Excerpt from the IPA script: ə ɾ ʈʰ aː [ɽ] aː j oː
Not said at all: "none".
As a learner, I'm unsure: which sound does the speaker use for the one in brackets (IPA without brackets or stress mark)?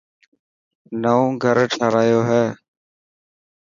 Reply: ɾ